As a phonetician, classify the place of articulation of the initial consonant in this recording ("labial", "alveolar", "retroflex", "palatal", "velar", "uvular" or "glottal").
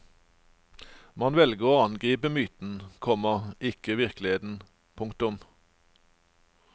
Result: labial